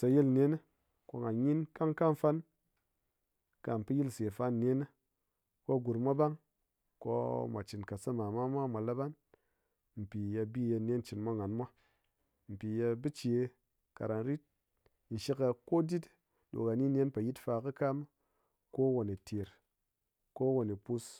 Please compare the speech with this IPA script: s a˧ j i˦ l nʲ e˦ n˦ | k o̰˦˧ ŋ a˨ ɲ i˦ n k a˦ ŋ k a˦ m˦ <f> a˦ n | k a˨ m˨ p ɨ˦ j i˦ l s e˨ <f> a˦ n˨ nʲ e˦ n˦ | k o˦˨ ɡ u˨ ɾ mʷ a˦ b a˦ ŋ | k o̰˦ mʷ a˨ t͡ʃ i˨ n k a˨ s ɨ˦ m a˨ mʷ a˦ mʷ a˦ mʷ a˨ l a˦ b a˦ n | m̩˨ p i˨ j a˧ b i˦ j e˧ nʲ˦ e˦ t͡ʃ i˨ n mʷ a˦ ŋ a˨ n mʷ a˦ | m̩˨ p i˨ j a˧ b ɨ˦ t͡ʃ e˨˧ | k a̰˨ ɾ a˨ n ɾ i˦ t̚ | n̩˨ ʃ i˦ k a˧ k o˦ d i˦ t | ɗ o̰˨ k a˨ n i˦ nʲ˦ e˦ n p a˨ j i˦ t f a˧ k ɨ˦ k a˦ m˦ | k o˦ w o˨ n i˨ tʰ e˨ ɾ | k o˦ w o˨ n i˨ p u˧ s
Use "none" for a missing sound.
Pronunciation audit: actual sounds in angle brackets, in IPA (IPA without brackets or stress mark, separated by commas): f, f